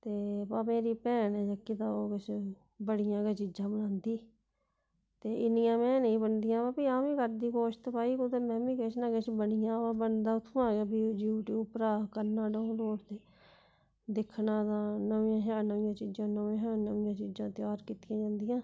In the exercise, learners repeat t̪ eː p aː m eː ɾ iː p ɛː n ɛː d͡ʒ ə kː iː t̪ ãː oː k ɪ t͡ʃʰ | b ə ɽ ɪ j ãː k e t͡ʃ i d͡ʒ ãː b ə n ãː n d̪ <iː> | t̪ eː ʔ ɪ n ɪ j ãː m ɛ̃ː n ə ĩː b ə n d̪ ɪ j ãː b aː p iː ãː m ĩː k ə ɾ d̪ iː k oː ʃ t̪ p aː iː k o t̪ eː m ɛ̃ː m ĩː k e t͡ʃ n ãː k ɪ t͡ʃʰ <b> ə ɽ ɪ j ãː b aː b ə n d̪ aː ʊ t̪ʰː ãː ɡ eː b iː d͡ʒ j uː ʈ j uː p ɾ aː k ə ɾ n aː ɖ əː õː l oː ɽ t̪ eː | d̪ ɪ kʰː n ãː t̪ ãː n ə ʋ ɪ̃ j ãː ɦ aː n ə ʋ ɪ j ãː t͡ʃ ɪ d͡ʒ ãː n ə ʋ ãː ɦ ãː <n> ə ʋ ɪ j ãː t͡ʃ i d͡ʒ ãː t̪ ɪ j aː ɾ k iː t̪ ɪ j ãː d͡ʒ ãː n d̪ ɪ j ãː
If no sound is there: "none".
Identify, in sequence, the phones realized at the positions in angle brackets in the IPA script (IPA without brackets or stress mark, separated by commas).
iː, b, n